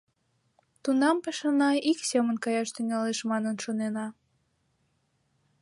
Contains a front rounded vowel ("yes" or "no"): yes